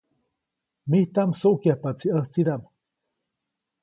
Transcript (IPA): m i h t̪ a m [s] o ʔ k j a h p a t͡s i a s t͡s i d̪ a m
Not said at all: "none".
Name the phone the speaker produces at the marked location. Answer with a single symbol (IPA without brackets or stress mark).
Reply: s